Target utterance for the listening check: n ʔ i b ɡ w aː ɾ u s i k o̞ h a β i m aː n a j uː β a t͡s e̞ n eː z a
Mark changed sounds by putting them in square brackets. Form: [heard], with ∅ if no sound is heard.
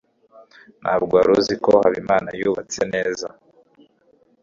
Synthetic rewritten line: n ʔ [a] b ɡ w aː ɾ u [z] i k o̞ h a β i m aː n a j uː β a t͡s e̞ n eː z a